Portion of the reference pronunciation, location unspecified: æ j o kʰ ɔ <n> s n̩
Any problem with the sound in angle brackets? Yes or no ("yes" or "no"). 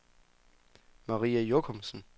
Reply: yes